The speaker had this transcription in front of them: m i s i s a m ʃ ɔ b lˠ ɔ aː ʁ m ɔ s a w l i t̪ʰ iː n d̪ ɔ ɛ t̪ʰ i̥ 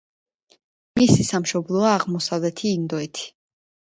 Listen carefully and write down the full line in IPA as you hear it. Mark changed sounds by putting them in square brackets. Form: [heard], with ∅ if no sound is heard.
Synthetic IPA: m i s i s a m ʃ ɔ b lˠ ɔ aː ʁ m ɔ s a [v] l [ɛ] t̪ʰ iː n d̪ ɔ ɛ t̪ʰ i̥